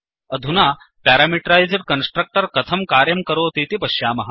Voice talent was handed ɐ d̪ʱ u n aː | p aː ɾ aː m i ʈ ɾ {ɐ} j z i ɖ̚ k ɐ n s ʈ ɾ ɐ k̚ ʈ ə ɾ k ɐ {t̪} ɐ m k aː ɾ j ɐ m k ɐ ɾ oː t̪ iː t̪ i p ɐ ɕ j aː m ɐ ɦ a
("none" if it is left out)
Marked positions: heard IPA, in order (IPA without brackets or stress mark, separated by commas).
a, t̪ʰ